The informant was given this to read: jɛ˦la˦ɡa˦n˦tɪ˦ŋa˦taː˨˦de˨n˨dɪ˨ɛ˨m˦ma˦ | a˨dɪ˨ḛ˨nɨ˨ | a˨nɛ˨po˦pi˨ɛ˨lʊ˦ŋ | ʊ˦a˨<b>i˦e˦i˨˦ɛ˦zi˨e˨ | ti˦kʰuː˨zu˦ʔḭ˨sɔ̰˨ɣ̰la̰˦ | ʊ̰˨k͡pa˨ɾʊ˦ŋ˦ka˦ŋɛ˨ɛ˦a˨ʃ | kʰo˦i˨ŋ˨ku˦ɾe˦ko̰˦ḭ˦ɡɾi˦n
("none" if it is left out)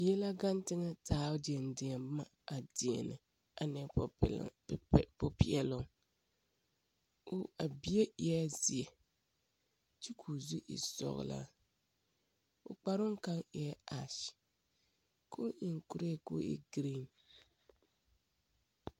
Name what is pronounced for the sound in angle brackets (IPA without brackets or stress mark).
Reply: b